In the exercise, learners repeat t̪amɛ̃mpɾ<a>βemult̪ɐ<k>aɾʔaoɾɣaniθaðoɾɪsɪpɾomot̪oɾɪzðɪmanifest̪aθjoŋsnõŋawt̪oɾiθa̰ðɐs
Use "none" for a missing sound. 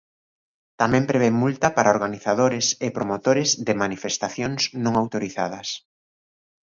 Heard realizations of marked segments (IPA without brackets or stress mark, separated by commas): e, p